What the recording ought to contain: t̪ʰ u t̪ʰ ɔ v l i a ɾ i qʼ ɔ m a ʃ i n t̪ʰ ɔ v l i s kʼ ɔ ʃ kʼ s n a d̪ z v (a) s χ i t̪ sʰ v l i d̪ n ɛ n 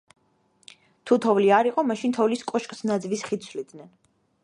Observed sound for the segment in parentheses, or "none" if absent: i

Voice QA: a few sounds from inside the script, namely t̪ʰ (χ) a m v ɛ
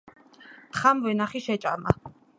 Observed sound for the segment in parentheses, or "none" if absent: χ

